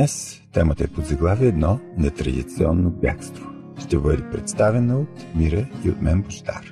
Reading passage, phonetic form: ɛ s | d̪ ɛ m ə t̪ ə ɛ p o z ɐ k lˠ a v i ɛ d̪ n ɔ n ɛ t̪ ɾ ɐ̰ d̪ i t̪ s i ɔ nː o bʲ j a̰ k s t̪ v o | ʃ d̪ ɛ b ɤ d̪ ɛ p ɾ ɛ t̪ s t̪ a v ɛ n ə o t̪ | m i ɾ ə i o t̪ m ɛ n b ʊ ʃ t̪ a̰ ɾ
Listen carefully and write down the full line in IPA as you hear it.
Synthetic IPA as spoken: ɛ s | t̪ ɛ m ə t̪ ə ɛ p o z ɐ ɡ lˠ a v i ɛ d̪ n ɔ n ɛ t̪ ɾ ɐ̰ d̪ i t̪ s i ɔ nː o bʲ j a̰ k s t̪ v o | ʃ t̪ ɛ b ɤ d̪ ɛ p ɾ ɛ t̪ s t̪ a v ɛ n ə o t̪ | m i ɾ ə i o t̪ m ɛ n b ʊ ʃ t̪ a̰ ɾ